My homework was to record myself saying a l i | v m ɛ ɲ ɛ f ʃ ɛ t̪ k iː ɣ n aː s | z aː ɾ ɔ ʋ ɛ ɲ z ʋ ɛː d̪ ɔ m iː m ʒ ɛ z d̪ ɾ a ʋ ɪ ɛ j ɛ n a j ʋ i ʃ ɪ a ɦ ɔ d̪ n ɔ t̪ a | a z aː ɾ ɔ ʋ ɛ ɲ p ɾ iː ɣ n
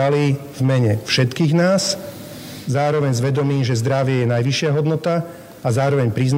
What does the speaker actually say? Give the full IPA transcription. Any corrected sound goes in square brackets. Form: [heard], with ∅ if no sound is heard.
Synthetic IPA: a l i | v m ɛ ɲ ɛ f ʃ ɛ t̪ k iː ɣ n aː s | z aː ɾ ɔ ʋ ɛ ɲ z ʋ [ɛ] d̪ ɔ m iː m ʒ ɛ z d̪ ɾ a ʋ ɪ ɛ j ɛ n a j ʋ i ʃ ɪ a ɦ ɔ d̪ n ɔ t̪ a | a z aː ɾ ɔ ʋ ɛ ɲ p ɾ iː [z] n